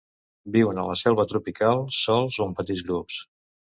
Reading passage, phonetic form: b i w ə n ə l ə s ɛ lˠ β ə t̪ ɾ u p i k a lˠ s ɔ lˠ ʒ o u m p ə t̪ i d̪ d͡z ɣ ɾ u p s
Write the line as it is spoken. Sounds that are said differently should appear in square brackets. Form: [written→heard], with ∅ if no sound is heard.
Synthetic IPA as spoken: b i w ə n ə l ə s ɛ lˠ β ə t̪ ɾ u p i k a lˠ s ɔ lˠ [ʒ→z] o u m p ə t̪ i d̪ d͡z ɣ ɾ u p s